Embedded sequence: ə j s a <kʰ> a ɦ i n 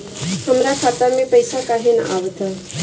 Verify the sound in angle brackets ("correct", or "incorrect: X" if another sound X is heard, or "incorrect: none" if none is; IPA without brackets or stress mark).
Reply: incorrect: k